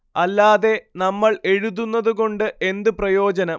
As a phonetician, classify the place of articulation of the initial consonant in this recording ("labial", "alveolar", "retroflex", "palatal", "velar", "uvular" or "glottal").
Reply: alveolar